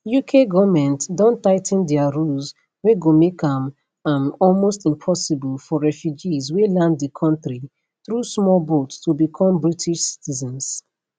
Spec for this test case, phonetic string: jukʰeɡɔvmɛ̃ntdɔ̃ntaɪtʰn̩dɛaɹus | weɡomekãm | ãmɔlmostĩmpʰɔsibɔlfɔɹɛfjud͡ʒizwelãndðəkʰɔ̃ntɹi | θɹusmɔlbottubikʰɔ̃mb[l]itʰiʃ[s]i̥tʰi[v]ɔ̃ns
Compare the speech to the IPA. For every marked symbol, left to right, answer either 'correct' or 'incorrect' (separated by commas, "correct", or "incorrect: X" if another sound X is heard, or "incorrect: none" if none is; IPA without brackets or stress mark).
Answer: incorrect: ɹ, correct, incorrect: z